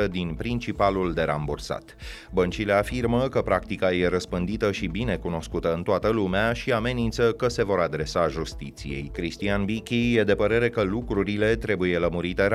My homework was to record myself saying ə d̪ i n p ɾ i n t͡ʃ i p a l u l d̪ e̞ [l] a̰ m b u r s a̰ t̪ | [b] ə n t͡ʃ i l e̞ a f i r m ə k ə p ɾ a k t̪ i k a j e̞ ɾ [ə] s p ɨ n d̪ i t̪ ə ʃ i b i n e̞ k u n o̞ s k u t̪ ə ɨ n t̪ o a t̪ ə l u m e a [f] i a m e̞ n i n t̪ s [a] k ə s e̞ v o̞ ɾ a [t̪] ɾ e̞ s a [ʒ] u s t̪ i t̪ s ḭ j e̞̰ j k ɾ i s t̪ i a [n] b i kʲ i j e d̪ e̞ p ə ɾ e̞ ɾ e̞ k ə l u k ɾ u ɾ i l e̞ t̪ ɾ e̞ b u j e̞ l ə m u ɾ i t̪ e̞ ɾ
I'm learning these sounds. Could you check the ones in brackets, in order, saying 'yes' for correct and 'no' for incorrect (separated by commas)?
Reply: no, yes, yes, no, no, no, yes, yes